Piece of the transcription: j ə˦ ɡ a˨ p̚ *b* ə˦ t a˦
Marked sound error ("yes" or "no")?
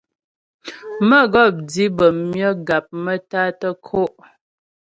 yes